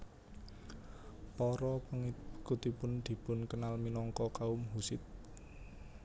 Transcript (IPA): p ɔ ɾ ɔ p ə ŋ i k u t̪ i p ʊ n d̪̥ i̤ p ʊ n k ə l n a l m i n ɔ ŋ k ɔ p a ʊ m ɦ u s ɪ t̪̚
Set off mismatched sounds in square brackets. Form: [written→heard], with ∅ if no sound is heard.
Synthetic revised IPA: p ɔ ɾ ɔ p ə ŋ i k u t̪ i p ʊ n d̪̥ i̤ p ʊ n k ə [l→∅] n a l m i n ɔ ŋ k ɔ [p→k] a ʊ m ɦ u s ɪ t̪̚